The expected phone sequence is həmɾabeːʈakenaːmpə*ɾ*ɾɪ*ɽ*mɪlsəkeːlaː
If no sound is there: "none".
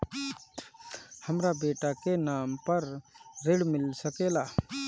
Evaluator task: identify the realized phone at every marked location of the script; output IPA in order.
ɾ, ɽ

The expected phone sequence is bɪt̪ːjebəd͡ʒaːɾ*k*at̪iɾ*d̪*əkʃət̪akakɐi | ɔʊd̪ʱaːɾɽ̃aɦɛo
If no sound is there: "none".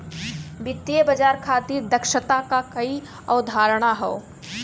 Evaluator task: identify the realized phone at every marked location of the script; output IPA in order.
kʰ, d̪

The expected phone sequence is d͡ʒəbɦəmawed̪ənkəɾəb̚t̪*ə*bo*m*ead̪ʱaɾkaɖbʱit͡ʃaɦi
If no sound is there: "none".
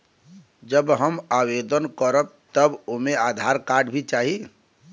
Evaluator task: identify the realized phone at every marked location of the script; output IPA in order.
ə, m

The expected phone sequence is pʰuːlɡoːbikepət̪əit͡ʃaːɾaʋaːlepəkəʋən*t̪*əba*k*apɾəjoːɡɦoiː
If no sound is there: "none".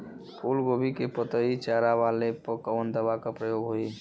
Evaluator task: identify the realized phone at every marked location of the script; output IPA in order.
d̪, k

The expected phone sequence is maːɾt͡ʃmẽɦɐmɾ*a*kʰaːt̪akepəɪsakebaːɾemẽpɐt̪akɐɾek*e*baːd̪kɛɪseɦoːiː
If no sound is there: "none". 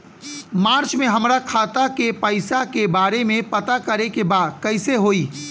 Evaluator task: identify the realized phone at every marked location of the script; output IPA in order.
a, e

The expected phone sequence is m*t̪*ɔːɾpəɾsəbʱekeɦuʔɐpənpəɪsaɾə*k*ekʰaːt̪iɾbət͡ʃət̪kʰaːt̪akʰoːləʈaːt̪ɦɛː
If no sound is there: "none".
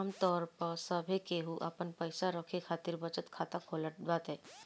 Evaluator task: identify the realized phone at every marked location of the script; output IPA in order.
t̪, kʰ

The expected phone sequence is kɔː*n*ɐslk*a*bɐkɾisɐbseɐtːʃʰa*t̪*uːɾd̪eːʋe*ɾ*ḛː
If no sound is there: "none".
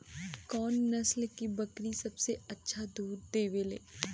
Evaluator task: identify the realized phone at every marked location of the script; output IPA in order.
nː, i, d̪, l

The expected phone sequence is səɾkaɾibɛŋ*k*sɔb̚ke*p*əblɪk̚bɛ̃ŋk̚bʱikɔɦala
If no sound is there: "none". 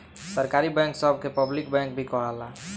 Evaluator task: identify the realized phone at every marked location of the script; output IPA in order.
k, p

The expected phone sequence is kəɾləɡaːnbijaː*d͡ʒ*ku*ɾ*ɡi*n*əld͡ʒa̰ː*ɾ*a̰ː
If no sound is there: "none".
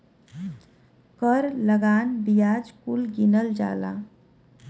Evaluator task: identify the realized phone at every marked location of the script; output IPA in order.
d͡ʒ, l, n, l

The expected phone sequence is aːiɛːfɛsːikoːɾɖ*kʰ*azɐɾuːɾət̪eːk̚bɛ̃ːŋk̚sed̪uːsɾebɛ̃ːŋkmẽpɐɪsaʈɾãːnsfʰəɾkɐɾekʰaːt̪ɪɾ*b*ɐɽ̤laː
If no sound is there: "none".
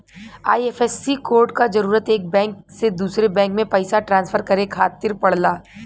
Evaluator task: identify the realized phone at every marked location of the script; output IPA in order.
k, p

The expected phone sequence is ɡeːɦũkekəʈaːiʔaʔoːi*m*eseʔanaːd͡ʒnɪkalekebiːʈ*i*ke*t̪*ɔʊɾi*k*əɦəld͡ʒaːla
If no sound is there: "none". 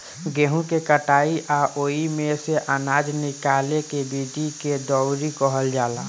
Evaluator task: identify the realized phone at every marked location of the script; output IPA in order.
m, i, d̪, k

